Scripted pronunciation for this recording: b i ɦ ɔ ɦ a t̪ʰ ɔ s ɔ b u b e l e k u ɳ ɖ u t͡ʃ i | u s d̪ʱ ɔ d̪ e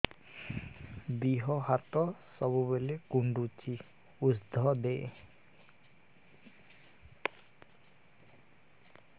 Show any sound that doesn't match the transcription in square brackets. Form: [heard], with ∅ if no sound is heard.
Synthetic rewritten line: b i ɦ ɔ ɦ a [t̪] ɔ s ɔ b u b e l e k u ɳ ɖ u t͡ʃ i | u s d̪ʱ ɔ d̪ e